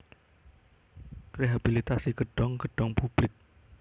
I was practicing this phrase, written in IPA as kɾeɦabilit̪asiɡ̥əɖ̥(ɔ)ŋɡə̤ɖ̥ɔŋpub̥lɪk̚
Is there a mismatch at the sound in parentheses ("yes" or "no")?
no